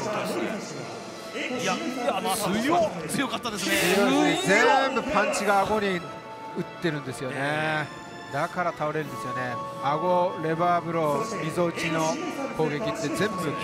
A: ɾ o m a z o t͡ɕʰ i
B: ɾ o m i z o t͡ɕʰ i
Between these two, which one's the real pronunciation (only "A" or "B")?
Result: B